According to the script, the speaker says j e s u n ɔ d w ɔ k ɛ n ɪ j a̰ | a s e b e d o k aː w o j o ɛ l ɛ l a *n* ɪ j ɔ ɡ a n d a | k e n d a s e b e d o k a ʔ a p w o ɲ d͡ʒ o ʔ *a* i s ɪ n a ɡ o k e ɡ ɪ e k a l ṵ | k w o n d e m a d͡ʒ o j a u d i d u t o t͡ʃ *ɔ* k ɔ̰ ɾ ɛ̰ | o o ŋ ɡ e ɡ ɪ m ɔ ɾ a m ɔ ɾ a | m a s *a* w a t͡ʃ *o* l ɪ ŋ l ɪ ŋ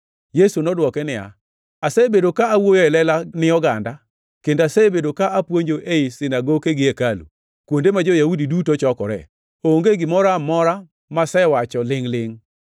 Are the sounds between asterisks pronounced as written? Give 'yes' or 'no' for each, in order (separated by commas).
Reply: yes, no, yes, no, no